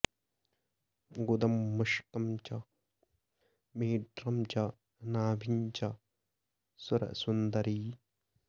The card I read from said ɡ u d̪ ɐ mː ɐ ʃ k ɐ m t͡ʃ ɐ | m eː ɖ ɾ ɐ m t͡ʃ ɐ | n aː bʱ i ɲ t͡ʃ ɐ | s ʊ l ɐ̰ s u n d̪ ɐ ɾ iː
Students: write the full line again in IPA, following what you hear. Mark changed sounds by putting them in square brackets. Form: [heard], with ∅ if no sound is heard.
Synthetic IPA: ɡ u d̪ ɐ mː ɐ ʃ k ɐ m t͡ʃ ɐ | m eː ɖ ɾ ɐ m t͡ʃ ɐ | n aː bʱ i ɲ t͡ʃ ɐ | s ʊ [ɾ] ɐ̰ s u n d̪ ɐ ɾ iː